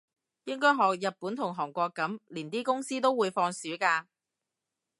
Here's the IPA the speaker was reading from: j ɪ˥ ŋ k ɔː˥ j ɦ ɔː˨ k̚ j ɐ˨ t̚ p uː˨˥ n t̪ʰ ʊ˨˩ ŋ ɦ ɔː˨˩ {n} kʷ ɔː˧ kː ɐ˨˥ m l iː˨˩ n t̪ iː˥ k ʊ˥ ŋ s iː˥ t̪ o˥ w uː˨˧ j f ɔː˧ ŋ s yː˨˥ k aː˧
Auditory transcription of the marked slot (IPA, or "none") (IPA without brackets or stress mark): ŋ